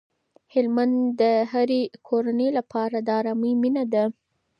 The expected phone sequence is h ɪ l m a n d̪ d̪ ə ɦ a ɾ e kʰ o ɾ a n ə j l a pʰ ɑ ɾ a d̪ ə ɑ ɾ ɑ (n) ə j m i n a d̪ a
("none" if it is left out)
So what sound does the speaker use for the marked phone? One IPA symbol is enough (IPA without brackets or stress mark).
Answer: m